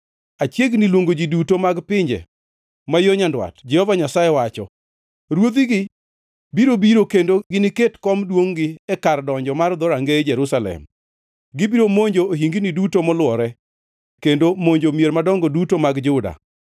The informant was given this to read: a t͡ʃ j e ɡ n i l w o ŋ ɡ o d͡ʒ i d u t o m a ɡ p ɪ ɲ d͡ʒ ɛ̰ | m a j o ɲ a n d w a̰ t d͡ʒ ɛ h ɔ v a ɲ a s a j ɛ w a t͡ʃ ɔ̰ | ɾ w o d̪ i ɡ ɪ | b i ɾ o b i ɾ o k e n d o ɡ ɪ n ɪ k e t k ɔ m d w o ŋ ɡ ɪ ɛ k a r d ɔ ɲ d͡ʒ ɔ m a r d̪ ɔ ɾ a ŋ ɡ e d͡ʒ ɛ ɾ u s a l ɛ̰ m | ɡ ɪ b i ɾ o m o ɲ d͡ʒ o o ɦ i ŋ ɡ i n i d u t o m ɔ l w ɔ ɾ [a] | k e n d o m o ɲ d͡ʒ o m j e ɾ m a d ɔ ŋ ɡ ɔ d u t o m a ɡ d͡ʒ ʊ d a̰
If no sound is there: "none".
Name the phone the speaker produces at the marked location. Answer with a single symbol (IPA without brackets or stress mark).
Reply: ɛ